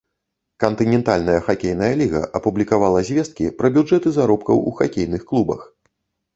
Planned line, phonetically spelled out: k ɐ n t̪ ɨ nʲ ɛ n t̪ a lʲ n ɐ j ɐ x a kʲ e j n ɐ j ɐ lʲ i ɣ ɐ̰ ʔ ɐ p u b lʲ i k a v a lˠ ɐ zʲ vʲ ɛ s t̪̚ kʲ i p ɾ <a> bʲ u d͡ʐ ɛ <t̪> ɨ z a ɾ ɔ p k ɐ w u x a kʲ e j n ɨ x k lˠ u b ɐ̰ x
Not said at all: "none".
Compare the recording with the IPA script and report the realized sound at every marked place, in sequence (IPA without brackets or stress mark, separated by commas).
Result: ɐ, t̪